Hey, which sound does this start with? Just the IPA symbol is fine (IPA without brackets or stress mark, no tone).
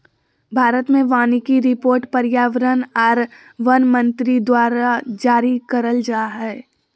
bʱ